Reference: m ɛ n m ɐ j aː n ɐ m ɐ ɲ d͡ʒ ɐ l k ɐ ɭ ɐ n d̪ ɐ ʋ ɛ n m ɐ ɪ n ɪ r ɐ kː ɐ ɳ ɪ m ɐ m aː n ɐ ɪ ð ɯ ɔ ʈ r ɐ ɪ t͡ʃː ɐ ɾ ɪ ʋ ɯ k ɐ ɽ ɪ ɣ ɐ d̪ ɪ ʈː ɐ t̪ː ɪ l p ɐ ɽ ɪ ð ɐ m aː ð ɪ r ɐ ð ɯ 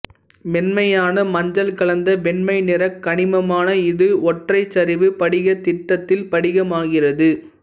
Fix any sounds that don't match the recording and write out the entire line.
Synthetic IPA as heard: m ɛ n m ɐ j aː n ɐ m ɐ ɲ d͡ʒ ɐ l k ɐ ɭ ɐ n d̪ ɐ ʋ ɛ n m ɐ ɪ n ɪ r ɐ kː ɐ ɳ ɪ m ɐ m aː n ɐ ɪ ð ɯ ɔ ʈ r ɐ ɪ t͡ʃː ɐ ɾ ɪ ʋ ɯ p ɐ ɽ ɪ ɣ ɐ t̪ ɪ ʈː ɐ t̪ː ɪ l p ɐ ɽ ɪ ɣ ɐ m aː ɣ ɪ r ɐ ð ɯ

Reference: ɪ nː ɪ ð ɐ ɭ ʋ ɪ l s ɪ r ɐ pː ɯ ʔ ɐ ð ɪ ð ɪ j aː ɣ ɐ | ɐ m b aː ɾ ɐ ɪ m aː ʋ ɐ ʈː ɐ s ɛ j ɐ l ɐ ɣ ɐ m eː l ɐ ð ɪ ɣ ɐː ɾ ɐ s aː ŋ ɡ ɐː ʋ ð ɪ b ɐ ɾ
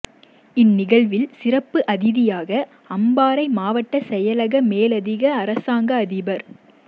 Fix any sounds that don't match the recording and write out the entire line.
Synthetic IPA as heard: ɪ nː ɪ ɣ ɐ ɭ ʋ ɪ l s ɪ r ɐ pː ɯ ʔ ɐ ð ɪ ð ɪ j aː ɣ ɐ | ɐ m b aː ɾ ɐ ɪ m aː ʋ ɐ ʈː ɐ s ɛ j ɐ l ɐ ɣ ɐ m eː l ɐ ð ɪ ɣ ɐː ɾ ɐ s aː ŋ ɡ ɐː ð ɪ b ɐ ɾ

